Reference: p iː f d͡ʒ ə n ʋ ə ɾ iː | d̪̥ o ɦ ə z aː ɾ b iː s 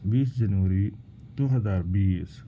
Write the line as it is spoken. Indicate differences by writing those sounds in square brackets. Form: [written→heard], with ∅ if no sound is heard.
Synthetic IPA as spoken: [p→b] iː [f→s] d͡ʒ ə n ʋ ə ɾ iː | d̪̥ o ɦ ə z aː ɾ b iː s